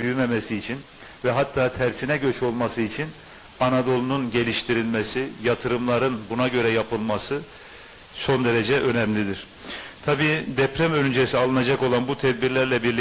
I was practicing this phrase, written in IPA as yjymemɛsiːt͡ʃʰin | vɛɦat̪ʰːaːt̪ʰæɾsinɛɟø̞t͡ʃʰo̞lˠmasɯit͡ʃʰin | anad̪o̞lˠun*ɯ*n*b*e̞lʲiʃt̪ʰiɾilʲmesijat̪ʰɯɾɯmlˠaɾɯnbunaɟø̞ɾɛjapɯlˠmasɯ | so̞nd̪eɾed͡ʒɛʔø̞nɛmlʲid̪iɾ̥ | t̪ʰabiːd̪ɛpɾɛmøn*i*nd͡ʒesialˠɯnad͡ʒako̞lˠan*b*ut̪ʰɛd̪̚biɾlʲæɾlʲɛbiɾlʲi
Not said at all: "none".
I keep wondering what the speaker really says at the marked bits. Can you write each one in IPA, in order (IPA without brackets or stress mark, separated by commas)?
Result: u, ɟ, y, b